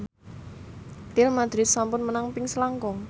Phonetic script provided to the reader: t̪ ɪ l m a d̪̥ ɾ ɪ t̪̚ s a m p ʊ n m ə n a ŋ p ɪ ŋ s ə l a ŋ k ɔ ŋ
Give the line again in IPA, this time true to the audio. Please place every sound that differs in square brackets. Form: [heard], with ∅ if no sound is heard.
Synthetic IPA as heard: t̪ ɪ l m a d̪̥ ɾ ɪ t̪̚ s a m p ʊ n m ə n a ŋ p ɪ ŋ s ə l a ŋ k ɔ ŋ